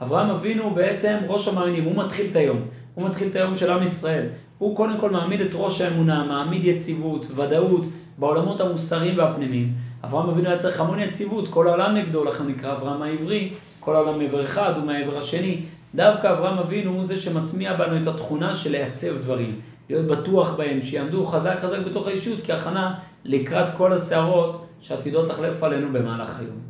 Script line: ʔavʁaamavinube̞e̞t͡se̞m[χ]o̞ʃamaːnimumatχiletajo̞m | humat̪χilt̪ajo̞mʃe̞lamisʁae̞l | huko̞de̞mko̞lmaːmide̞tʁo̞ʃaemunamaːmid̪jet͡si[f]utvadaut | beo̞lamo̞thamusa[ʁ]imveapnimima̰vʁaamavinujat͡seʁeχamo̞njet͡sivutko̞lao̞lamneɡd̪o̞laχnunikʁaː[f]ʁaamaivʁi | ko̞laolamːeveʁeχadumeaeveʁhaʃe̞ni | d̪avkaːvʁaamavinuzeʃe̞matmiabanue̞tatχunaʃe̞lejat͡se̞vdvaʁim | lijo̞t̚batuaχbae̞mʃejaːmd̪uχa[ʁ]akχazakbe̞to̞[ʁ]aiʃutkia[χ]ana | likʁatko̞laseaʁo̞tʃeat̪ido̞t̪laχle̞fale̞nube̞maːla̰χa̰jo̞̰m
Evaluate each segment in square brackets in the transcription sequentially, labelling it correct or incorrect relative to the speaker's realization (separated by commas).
incorrect, incorrect, correct, incorrect, incorrect, incorrect, correct